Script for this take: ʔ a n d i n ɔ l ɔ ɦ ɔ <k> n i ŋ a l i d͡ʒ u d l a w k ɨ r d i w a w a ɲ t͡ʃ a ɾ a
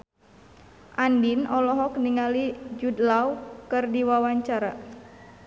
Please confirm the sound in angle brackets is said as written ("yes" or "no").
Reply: yes